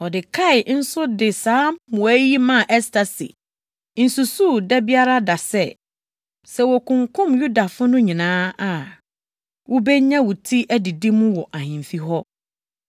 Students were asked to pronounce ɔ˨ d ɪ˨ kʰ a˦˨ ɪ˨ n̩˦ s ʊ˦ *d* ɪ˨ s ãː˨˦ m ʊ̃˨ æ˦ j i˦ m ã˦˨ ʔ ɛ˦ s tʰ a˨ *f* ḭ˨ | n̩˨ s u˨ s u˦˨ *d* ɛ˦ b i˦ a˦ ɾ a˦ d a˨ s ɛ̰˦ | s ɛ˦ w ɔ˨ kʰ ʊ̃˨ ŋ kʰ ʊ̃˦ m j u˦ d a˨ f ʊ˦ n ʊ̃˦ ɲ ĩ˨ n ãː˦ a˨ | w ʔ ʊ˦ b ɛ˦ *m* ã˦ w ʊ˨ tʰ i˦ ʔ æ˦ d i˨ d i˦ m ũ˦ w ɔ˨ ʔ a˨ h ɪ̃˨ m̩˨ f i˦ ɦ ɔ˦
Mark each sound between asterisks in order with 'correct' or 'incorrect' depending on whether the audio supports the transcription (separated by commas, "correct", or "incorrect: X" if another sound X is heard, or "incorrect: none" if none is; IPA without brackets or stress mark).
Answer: correct, incorrect: s, correct, incorrect: ɲ